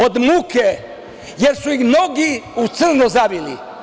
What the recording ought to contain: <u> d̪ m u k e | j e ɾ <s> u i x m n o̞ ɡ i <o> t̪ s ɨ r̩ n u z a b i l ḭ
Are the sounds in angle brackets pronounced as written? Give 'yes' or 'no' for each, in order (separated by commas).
no, yes, no